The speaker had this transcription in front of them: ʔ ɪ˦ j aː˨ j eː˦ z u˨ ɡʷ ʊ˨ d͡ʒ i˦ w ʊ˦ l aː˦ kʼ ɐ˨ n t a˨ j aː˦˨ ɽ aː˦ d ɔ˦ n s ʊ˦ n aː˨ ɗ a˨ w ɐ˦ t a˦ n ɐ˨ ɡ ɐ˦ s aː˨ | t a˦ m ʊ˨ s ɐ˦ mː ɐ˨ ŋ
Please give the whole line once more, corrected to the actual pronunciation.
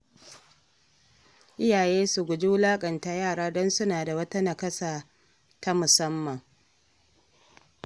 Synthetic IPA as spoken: ʔ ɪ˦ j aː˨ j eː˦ s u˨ ɡʷ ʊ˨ d͡ʒ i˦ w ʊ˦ l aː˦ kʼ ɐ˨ n t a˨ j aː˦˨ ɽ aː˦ d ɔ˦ n s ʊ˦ n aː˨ d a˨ w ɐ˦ t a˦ n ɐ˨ k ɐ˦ s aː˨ | t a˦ m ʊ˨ s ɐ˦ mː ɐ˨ ŋ